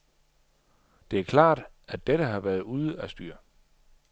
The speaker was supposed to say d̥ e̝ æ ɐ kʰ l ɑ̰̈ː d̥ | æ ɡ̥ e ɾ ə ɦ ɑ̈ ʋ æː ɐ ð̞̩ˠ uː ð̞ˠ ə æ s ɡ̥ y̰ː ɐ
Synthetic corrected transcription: d̥ e̝ æ ɐ kʰ l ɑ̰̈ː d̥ | æ d̥ e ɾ ə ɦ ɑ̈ ʋ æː ɐ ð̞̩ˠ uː ð̞ˠ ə æ s d̥ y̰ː ɐ